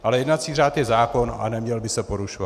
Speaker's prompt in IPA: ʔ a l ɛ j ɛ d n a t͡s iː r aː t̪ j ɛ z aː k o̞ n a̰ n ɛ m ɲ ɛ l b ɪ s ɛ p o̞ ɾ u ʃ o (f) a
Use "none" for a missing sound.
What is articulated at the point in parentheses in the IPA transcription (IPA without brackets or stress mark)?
v